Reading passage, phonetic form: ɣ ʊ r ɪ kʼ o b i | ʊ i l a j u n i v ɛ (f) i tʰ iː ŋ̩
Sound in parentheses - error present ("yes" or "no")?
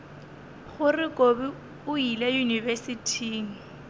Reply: yes